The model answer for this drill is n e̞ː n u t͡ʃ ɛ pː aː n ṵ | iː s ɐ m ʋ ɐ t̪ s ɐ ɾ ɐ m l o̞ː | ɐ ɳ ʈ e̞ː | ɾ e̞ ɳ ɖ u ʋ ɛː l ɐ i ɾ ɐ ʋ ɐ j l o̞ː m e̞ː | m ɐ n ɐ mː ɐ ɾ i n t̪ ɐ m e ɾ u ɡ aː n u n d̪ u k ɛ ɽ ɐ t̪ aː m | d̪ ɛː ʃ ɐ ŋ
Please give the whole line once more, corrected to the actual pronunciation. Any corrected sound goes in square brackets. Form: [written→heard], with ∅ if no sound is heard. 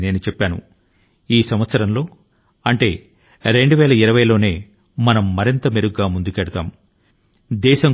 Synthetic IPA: n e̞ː n u t͡ʃ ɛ pː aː n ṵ | iː s ɐ m ʋ ɐ t̪ s ɐ ɾ ɐ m l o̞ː | ɐ ɳ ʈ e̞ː | ɾ e̞ ɳ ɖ u ʋ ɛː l ɐ i ɾ ɐ ʋ ɐ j l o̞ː [m→n] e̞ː | m ɐ n ɐ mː ɐ ɾ i n t̪ ɐ m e ɾ u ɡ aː [n→m] u n d̪ u k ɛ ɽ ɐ t̪ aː m | d̪ ɛː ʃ ɐ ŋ

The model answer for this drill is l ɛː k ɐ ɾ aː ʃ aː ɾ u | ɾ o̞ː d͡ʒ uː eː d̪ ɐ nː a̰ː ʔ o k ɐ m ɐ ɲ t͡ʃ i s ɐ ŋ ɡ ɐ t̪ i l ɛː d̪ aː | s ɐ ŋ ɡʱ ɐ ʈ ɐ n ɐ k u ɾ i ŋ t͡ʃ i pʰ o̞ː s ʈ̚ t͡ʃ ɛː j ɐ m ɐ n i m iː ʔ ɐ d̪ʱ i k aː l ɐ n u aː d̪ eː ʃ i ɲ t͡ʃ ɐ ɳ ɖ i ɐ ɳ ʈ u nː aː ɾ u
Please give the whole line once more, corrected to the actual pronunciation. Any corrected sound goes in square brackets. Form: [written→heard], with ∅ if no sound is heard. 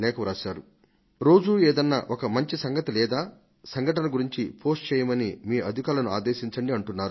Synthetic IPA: l ɛː k ɐ ɾ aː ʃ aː ɾ u | ɾ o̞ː d͡ʒ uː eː d̪ ɐ nː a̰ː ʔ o k ɐ m ɐ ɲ t͡ʃ i s ɐ ŋ ɡ ɐ t̪ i l ɛː d̪ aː | s ɐ ŋ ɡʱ ɐ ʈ ɐ n ɐ [k→ɡ] u ɾ i [ŋ→ɲ] t͡ʃ i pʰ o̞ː s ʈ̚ t͡ʃ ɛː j ɐ m ɐ n i m iː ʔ ɐ d̪ʱ i k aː l ɐ n u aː d̪ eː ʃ i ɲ t͡ʃ ɐ ɳ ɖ i ɐ ɳ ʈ u nː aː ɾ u

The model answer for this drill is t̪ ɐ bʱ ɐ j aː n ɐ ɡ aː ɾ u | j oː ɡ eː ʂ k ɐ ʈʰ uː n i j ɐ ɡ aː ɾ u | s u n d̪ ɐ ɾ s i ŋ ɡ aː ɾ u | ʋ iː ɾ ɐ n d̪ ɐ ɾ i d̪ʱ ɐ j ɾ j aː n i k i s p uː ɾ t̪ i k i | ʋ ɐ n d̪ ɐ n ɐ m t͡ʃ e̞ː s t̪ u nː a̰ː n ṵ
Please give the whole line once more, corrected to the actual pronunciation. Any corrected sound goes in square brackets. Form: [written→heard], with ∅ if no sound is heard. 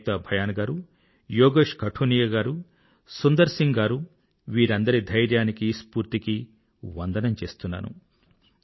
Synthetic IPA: t̪ ɐ bʱ ɐ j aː n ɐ ɡ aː ɾ u | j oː ɡ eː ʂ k ɐ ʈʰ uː n i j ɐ ɡ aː ɾ u | s u n d̪ ɐ ɾ s i ŋ ɡ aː ɾ u | ʋ iː ɾ ɐ n d̪ ɐ ɾ i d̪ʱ ɐ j ɾ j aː n i k i s p uː ɾ t̪ i k i | ʋ ɐ n d̪ ɐ n ɐ m t͡ʃ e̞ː s t̪ u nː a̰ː n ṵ

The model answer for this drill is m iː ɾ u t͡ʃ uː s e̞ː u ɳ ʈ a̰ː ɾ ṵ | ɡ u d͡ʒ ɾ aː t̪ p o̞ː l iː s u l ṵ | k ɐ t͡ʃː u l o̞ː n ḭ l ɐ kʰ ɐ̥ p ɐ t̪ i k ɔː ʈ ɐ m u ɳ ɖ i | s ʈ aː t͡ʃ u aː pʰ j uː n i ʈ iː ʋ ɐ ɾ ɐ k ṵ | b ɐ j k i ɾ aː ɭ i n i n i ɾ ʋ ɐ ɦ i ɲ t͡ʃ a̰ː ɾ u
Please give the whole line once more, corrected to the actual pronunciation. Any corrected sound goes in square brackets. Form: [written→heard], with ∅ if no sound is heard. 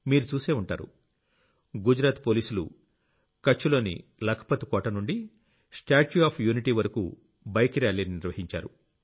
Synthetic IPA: m iː ɾ u t͡ʃ uː s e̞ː u ɳ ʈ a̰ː ɾ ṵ | ɡ u d͡ʒ ɾ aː t̪ p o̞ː l iː s u l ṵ | k ɐ t͡ʃː u l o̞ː n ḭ l ɐ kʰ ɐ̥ p ɐ t̪ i k ɔː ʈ ɐ [m→n] u ɳ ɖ i | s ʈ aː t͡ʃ u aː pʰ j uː n i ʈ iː ʋ ɐ ɾ ɐ k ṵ | b ɐ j k i ɾ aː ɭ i n i n i ɾ ʋ ɐ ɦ i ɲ t͡ʃ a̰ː ɾ u

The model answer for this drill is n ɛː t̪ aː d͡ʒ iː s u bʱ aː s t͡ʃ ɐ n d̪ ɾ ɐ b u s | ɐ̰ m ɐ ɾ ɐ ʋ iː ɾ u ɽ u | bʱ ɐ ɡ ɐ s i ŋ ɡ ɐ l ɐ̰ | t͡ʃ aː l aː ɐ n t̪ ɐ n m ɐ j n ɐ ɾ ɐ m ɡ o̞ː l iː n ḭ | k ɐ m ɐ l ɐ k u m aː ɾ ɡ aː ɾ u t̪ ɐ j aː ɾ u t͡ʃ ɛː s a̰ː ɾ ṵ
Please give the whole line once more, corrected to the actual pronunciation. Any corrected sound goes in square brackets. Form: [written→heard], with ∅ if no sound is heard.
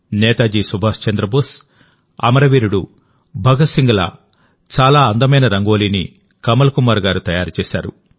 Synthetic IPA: n ɛː t̪ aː d͡ʒ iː s u bʱ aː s t͡ʃ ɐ n d̪ ɾ ɐ b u s | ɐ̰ m ɐ ɾ ɐ ʋ iː ɾ u ɽ u | bʱ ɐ ɡ ɐ s i ŋ ɡ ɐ l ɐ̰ | t͡ʃ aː l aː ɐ n [t̪→d̪] ɐ [n→∅] m ɐ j n ɐ ɾ ɐ [m→ŋ] ɡ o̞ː l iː n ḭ | k ɐ m ɐ l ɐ k u m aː ɾ ɡ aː ɾ u t̪ ɐ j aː ɾ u t͡ʃ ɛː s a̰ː ɾ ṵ

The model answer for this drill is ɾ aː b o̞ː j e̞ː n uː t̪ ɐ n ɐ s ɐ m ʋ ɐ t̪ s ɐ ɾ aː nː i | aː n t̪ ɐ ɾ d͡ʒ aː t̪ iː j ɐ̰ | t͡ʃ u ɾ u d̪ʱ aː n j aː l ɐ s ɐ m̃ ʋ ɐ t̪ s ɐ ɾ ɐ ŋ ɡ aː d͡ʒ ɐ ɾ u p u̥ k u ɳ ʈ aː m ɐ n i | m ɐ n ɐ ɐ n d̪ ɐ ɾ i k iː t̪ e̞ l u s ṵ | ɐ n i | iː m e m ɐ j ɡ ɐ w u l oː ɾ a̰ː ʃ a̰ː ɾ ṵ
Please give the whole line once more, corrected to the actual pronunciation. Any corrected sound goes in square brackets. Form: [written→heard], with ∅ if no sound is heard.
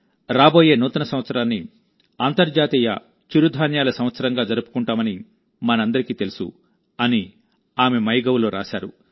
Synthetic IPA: ɾ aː b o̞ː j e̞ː n uː t̪ ɐ n ɐ s ɐ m ʋ ɐ t̪ s ɐ ɾ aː nː i | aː n t̪ ɐ ɾ d͡ʒ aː t̪ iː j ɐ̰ | t͡ʃ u ɾ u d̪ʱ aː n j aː l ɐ s ɐ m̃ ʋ ɐ t̪ s ɐ ɾ ɐ ŋ ɡ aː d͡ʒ ɐ ɾ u p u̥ k u ɳ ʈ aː m ɐ n i | m ɐ n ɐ ɐ n d̪ ɐ ɾ i k iː t̪ e̞ l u s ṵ | ɐ n i | [iː→aː] m e m ɐ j ɡ ɐ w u l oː ɾ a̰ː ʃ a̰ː ɾ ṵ

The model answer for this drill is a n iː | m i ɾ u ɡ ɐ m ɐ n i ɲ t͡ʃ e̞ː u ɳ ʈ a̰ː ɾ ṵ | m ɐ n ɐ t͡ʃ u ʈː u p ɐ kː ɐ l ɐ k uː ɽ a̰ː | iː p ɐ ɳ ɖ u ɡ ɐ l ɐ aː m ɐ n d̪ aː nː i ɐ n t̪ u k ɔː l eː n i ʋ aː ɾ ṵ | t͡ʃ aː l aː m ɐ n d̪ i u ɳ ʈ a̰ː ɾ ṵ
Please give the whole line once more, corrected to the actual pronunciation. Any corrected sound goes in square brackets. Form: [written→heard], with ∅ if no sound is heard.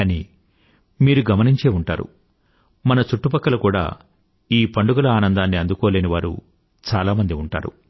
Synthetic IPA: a n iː | m [i→iː] ɾ u ɡ ɐ m ɐ n i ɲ t͡ʃ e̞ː u ɳ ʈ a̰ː ɾ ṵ | m ɐ n ɐ t͡ʃ u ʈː u p ɐ kː ɐ l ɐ k uː ɽ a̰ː | iː p ɐ ɳ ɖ u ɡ ɐ l ɐ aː [m→n] ɐ n d̪ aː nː i ɐ n [t̪→d̪] u k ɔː l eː n i ʋ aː ɾ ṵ | t͡ʃ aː l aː m ɐ n d̪ i u ɳ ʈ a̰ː ɾ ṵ

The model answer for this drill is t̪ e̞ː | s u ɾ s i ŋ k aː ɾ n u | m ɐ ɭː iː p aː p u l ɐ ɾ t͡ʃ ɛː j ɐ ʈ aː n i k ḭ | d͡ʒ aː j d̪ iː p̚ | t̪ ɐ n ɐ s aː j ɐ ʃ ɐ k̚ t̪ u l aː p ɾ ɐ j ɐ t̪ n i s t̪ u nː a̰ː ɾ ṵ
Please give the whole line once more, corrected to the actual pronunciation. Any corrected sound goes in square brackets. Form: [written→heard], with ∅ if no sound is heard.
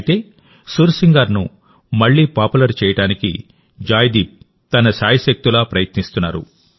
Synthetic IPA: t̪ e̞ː | s u ɾ s i ŋ [k→ɡ] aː ɾ n u | m ɐ ɭː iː p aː p u l ɐ ɾ t͡ʃ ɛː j ɐ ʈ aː n i k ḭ | d͡ʒ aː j d̪ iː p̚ | t̪ ɐ n ɐ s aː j ɐ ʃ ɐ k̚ t̪ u l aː p ɾ ɐ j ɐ t̪ n i s t̪ u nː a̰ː ɾ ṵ

